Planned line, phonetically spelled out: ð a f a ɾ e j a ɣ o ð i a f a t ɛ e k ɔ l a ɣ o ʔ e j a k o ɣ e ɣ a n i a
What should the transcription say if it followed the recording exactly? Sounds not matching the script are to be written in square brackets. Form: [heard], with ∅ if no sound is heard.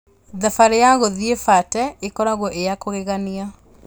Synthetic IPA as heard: ð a f a ɾ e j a ɣ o ð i [e] f a t ɛ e k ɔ [ɾ] a ɣ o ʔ e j a k o ɣ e ɣ a n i a